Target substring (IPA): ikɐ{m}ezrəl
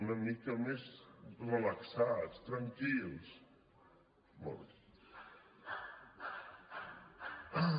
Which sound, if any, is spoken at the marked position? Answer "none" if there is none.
m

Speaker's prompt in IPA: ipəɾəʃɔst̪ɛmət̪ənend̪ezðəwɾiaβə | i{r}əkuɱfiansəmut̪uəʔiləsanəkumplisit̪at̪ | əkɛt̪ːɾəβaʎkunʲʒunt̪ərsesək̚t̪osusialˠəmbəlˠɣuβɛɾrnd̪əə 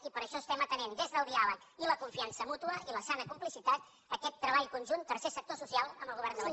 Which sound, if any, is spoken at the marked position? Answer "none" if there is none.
l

